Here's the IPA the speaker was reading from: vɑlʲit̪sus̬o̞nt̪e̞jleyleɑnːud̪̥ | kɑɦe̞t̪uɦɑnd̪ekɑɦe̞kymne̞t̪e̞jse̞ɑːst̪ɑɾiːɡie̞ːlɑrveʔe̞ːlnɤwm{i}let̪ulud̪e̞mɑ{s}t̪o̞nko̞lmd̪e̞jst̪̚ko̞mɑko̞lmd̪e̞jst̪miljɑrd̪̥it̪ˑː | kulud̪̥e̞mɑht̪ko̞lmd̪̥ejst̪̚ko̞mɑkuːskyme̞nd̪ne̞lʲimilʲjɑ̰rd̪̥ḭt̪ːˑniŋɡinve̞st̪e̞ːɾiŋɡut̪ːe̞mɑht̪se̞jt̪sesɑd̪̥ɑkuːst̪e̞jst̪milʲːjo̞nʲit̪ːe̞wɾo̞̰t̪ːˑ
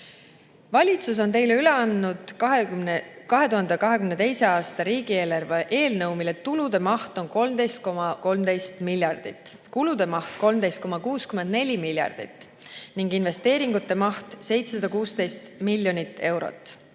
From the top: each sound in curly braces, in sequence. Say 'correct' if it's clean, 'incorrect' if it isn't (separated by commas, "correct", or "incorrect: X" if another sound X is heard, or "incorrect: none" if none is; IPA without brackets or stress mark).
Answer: correct, incorrect: h